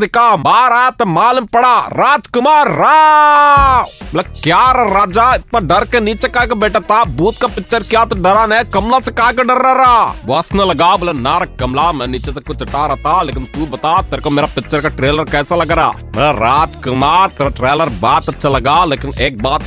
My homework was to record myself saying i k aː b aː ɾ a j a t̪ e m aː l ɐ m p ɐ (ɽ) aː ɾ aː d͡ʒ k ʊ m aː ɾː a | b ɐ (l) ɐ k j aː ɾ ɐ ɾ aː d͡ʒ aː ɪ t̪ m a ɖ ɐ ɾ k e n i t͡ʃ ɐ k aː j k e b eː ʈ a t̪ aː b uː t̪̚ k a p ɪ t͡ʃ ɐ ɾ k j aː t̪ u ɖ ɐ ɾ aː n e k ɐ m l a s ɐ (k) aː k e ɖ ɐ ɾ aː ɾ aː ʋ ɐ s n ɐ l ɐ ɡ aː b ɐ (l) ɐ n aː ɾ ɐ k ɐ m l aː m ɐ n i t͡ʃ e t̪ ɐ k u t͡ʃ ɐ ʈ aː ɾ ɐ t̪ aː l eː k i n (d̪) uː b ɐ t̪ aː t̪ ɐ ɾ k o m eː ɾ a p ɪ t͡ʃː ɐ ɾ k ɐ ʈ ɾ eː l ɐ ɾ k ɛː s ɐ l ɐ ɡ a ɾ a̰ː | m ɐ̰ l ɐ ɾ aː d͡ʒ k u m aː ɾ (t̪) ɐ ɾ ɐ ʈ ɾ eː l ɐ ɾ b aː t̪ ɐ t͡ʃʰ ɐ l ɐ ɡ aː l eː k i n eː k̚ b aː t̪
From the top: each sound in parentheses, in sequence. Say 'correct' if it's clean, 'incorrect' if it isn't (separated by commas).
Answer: correct, correct, correct, correct, incorrect, correct